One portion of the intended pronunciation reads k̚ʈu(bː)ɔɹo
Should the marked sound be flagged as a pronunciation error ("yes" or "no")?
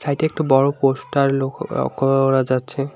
yes